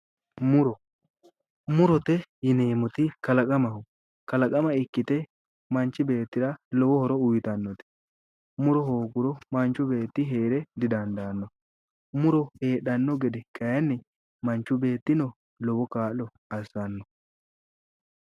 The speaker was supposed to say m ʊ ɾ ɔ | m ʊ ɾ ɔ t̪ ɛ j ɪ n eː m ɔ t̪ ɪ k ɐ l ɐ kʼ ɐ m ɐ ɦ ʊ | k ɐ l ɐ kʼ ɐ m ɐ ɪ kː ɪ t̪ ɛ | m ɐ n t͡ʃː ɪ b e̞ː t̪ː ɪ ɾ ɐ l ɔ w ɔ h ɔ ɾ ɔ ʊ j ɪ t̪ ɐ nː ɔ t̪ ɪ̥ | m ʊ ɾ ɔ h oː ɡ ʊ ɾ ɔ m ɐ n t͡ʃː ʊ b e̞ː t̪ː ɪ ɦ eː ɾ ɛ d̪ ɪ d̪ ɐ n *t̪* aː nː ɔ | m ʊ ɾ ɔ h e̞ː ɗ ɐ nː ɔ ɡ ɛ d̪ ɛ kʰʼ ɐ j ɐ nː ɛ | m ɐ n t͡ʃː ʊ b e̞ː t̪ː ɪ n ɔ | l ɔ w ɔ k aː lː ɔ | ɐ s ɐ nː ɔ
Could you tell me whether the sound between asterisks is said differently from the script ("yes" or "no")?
yes